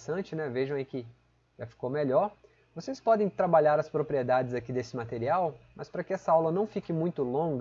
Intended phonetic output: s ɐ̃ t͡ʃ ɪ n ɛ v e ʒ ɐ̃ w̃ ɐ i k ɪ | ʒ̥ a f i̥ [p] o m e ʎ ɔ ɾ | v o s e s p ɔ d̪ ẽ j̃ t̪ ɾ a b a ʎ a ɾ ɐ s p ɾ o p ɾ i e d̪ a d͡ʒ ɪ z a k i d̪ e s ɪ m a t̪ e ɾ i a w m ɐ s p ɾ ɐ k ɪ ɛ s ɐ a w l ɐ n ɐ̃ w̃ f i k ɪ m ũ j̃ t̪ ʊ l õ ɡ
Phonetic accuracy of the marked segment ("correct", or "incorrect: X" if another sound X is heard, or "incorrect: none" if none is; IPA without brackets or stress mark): incorrect: k